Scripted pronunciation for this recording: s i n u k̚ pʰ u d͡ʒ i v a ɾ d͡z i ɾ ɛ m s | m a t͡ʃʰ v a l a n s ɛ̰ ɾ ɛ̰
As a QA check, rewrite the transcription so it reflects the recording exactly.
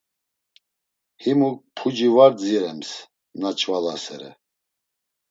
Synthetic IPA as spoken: h i m u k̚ pʰ u d͡ʒ i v a ɾ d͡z i ɾ ɛ m s | n a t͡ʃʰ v a l a s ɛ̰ ɾ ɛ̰